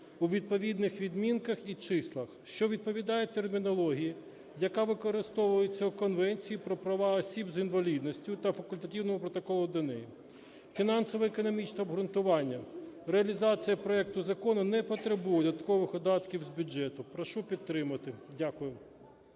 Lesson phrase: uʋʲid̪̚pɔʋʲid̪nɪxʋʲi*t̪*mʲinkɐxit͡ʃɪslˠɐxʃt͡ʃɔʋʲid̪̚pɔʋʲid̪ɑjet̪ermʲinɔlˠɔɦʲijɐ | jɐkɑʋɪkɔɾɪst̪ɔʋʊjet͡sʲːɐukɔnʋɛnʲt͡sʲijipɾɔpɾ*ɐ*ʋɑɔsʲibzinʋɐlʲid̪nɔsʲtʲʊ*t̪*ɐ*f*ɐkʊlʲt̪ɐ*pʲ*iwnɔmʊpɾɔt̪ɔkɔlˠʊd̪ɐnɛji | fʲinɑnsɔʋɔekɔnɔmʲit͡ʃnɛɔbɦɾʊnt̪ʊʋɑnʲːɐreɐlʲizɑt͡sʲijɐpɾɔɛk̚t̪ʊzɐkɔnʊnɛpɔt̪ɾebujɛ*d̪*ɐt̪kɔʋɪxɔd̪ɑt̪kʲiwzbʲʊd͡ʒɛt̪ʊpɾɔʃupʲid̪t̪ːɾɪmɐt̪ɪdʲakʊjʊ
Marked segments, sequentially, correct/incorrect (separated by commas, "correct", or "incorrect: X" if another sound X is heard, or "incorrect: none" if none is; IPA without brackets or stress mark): incorrect: d̪, correct, correct, correct, incorrect: tʲ, correct